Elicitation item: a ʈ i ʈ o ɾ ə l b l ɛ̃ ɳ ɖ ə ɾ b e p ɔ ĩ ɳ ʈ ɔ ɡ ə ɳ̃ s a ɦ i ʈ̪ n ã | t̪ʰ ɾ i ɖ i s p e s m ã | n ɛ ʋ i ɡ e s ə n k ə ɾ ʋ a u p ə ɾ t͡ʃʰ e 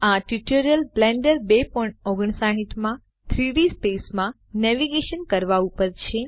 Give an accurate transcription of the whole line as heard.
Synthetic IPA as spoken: a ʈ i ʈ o ɾ ə l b l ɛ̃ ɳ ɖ ə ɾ b e p ɔ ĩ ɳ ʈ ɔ ɡ ə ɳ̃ s a ɦ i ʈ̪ m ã | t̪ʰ ɾ i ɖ i s p e s m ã | n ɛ ʋ i ɡ e ʃ ə n k ə ɾ ʋ a u p ə ɾ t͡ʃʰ e